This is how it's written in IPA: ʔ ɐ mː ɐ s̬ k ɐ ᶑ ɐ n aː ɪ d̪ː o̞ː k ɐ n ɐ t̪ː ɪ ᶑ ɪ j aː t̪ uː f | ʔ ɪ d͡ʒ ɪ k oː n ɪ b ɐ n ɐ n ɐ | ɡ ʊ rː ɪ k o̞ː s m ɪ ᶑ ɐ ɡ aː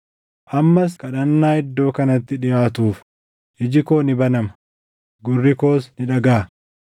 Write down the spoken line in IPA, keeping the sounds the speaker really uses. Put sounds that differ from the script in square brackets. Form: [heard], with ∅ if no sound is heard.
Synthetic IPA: ʔ ɐ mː ɐ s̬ k ɐ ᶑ ɐ [nː] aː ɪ d̪ː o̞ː k ɐ n ɐ t̪ː ɪ ᶑ ɪ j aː t̪ uː f | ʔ ɪ d͡ʒ ɪ k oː n ɪ b ɐ n ɐ [m] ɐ | ɡ ʊ rː ɪ k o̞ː s [n] ɪ ᶑ ɐ ɡ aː

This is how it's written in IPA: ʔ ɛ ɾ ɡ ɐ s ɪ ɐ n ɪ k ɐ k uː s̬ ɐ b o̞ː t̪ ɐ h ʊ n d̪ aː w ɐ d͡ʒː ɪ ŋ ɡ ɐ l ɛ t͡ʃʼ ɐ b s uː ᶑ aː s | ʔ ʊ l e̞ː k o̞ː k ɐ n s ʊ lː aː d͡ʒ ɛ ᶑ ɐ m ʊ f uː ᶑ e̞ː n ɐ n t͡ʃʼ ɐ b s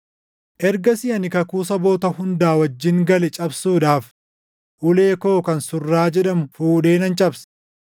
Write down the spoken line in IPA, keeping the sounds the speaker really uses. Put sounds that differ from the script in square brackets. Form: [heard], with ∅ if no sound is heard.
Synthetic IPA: ʔ ɛ ɾ ɡ ɐ s ɪ ɐ n ɪ k ɐ k uː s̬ ɐ b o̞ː t̪ ɐ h ʊ n d̪ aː w ɐ d͡ʒː ɪ ŋ ɡ ɐ l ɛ t͡ʃʼ ɐ b s uː ᶑ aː [f] | ʔ ʊ l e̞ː k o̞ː k ɐ n s ʊ [rː] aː d͡ʒ ɛ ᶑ ɐ m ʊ f uː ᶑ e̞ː n ɐ n t͡ʃʼ ɐ b s

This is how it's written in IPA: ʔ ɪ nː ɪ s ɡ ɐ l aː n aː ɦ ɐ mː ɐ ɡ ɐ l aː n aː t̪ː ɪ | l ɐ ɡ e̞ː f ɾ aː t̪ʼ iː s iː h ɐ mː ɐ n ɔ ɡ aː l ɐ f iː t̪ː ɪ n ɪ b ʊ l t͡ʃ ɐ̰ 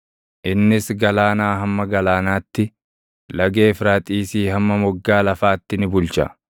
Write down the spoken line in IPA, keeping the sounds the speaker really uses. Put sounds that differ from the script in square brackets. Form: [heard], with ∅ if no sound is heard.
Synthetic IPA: ʔ ɪ nː ɪ s ɡ ɐ l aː n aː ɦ ɐ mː ɐ ɡ ɐ l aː n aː t̪ː ɪ | l ɐ ɡ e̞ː f ɾ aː t̪ʼ iː s iː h ɐ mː ɐ [m] ɔ [ɡː] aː l ɐ f [aː] t̪ː ɪ n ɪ b ʊ l t͡ʃ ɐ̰

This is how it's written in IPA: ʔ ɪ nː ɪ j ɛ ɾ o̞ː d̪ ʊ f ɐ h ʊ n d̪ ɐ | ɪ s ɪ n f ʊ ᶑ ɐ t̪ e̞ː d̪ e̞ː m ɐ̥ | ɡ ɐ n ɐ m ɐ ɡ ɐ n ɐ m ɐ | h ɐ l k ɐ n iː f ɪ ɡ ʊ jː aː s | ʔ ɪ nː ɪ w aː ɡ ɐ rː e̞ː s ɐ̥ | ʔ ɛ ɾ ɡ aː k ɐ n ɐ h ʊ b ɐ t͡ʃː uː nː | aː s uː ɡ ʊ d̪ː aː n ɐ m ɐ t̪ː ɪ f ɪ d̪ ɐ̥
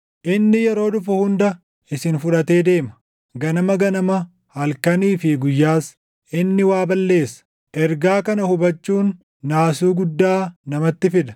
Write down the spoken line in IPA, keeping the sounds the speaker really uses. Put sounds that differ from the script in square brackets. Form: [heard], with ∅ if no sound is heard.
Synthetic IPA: ʔ ɪ nː ɪ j ɛ ɾ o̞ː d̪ ʊ f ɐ h ʊ n d̪ ɐ | ɪ s ɪ n f ʊ ᶑ ɐ t̪ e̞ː d̪ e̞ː m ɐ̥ | ɡ ɐ n ɐ m ɐ ɡ ɐ n ɐ m ɐ | h ɐ l k ɐ n iː f ɪ ɡ ʊ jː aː s | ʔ ɪ nː ɪ w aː [b] ɐ [lː] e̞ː s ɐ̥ | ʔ ɛ ɾ ɡ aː k ɐ n ɐ h ʊ b ɐ t͡ʃː uː nː | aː s uː ɡ ʊ d̪ː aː n ɐ m ɐ t̪ː ɪ f ɪ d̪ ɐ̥

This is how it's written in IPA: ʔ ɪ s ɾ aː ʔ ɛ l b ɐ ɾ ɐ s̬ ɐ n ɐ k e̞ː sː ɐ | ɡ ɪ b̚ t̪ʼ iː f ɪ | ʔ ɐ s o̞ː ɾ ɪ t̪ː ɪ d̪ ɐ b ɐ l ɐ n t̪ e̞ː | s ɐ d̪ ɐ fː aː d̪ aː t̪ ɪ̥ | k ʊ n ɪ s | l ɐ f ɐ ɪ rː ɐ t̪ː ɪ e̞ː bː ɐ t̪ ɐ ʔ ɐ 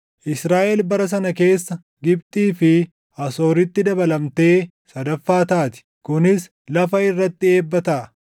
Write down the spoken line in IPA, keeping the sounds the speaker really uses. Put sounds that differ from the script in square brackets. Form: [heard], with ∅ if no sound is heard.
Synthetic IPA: ʔ ɪ s ɾ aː ʔ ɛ l b ɐ ɾ ɐ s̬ ɐ n ɐ k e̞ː sː ɐ | ɡ ɪ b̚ t̪ʼ iː f ɪ | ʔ ɐ s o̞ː ɾ ɪ t̪ː ɪ d̪ ɐ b ɐ l ɐ [m] t̪ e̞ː | s ɐ d̪ ɐ fː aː [t̪] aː t̪ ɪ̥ | k ʊ n ɪ s | l ɐ f ɐ ɪ rː ɐ t̪ː ɪ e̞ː bː ɐ t̪ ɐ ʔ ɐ

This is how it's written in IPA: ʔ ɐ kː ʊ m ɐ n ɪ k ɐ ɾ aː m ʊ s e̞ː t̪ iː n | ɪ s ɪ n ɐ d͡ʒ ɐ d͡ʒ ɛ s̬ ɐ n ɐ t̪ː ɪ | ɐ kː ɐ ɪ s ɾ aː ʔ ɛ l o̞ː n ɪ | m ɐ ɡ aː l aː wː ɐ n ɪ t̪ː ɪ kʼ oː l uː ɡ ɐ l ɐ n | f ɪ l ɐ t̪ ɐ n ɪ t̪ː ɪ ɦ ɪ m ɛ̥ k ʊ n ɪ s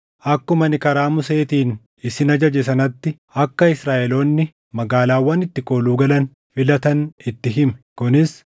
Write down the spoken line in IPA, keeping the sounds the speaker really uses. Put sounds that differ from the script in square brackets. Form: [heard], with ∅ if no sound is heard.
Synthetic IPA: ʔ ɐ kː ʊ m ɐ n ɪ k ɐ ɾ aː m ʊ s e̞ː t̪ iː n | ɪ s ɪ n ɐ d͡ʒ ɐ d͡ʒ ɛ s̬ ɐ n ɐ t̪ː ɪ | ɐ kː ɐ ɪ s ɾ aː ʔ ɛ l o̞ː [nː] ɪ | m ɐ ɡ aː l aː wː ɐ n ɪ t̪ː ɪ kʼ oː l uː ɡ ɐ l ɐ n | f ɪ l ɐ t̪ ɐ n ɪ t̪ː ɪ ɦ ɪ m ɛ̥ k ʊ n ɪ s

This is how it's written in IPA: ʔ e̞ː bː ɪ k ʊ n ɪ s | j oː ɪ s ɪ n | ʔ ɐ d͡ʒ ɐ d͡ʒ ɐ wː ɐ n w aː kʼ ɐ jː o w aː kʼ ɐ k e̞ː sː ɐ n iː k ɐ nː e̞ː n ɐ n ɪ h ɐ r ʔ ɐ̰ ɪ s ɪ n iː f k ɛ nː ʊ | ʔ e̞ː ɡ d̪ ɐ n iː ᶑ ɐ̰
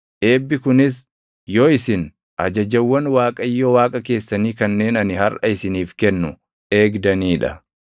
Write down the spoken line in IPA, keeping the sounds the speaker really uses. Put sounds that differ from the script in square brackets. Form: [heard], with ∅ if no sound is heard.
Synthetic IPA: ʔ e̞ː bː ɪ k ʊ n ɪ s | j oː ɪ s ɪ n | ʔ ɐ d͡ʒ ɐ d͡ʒ ɐ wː ɐ n w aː kʼ ɐ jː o w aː kʼ ɐ k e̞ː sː ɐ n iː k ɐ nː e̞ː n ɐ n ɪ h ɐ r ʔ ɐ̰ ɪ s ɪ n iː f k ɛ nː ʊ | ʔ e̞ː ɡ d̪ ɐ n iː ᶑ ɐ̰

